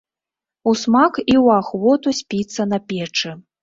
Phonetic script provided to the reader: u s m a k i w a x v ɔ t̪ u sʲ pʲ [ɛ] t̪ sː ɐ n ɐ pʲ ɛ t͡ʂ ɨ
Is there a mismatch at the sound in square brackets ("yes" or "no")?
yes